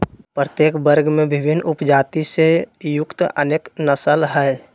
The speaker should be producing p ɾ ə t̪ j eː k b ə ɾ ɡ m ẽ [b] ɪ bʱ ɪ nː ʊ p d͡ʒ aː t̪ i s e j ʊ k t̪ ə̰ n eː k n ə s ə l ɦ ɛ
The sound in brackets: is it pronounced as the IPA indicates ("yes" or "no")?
yes